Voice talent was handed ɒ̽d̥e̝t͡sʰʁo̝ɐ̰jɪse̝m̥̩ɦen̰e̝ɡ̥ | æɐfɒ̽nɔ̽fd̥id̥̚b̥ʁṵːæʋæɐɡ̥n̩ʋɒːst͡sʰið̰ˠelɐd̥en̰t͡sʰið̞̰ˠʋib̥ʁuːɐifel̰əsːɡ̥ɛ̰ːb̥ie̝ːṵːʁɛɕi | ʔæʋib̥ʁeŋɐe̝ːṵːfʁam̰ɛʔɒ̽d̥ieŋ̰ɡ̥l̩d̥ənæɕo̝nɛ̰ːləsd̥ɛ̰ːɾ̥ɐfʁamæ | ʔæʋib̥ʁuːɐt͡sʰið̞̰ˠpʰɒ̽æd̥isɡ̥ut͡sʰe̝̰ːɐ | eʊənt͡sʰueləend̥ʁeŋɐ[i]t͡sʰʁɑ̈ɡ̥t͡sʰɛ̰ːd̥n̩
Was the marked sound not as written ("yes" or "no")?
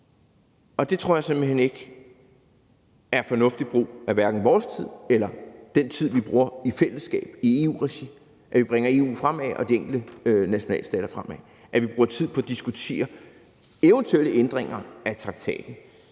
yes